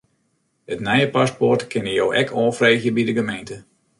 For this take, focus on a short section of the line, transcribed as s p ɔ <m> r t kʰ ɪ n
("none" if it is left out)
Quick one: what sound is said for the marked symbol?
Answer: none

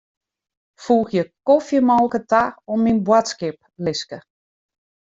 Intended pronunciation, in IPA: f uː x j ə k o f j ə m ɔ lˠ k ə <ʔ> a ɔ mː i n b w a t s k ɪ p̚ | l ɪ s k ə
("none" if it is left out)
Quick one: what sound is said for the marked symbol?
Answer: t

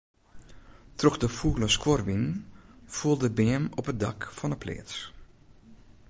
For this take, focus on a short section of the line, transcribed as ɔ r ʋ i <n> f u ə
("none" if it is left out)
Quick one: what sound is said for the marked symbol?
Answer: n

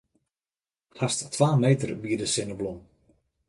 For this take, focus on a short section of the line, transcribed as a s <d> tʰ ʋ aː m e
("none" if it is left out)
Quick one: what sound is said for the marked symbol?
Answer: t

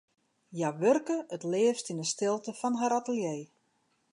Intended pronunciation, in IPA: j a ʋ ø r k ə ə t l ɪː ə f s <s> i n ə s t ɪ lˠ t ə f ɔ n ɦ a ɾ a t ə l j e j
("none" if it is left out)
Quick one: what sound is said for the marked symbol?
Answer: t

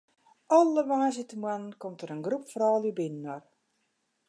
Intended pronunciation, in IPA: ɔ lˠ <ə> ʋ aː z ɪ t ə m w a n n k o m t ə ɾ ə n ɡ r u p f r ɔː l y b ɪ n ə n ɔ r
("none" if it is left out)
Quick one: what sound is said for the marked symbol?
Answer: ə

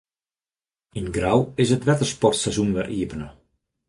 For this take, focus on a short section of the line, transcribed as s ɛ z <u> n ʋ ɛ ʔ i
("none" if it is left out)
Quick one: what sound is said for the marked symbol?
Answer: u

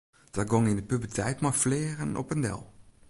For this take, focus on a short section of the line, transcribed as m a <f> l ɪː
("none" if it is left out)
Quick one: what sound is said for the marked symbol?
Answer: f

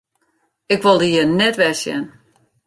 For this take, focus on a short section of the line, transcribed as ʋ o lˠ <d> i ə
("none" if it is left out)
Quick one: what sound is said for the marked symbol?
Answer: d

